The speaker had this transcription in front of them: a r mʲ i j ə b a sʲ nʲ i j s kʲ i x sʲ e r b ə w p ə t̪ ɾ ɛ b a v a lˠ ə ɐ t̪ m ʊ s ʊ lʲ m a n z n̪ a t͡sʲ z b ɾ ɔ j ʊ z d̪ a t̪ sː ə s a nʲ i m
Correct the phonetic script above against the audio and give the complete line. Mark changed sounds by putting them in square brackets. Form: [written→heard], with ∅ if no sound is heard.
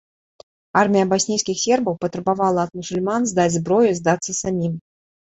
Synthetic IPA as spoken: a r mʲ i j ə b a sʲ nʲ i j s kʲ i x sʲ e r b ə w p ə t̪ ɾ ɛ b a v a lˠ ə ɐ t̪ m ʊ s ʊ lʲ m a n z [n̪→d̪] a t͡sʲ z b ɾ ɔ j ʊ z d̪ a t̪ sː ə s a [nʲ→mʲ] i m